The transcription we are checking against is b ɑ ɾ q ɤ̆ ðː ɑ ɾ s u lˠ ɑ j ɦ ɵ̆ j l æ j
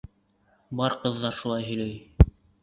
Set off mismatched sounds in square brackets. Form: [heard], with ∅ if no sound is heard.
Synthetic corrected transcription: b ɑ ɾ q ɤ̆ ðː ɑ ɾ [ʃ] u lˠ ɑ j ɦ ɵ̆ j l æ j